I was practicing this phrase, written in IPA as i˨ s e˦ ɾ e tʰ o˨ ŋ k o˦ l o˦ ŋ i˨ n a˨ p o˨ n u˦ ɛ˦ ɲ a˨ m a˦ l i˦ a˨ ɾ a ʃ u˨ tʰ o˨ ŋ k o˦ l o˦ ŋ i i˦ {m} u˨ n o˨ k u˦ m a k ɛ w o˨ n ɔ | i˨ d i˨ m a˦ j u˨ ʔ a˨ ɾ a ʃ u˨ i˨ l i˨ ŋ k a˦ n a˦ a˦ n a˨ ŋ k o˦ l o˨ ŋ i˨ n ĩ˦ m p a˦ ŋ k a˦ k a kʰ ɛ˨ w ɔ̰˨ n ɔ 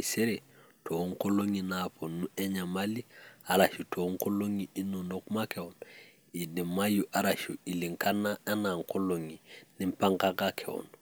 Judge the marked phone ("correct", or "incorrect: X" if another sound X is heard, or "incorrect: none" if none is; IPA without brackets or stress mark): incorrect: n